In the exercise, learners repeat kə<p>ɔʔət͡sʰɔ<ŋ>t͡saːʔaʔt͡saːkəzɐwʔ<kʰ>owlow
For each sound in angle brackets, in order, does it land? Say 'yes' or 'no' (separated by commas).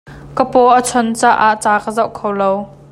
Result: yes, no, yes